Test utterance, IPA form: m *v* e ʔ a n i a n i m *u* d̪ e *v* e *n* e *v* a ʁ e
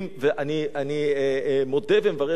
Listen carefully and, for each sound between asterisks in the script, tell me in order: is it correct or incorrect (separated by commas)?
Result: correct, incorrect, correct, incorrect, correct